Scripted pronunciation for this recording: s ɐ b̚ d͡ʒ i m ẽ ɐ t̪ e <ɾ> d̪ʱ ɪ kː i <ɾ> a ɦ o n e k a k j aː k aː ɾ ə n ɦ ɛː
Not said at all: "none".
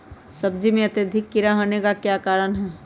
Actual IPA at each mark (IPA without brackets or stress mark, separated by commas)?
none, ɾ